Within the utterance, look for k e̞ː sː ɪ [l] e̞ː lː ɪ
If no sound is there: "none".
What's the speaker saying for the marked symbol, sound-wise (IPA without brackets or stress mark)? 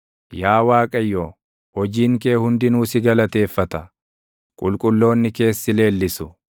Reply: l